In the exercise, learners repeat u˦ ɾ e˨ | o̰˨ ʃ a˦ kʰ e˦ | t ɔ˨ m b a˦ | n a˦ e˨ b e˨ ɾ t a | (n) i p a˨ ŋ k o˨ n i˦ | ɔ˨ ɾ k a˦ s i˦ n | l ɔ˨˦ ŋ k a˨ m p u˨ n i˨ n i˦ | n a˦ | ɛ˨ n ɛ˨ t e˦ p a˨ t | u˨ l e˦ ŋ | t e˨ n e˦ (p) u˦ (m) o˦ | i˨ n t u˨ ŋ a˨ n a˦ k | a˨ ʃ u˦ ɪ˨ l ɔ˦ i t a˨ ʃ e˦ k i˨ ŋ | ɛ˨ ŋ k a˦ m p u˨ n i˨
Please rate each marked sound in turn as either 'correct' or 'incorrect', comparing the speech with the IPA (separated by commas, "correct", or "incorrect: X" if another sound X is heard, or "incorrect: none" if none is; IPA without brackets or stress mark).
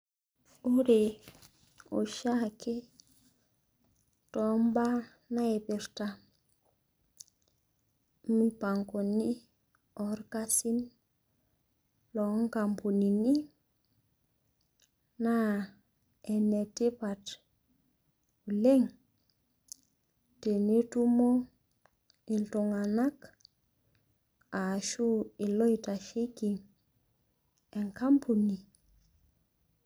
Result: incorrect: m, incorrect: t, correct